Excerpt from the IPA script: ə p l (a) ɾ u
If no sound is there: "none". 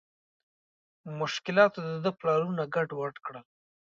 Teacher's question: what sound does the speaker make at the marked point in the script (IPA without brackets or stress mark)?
ɑ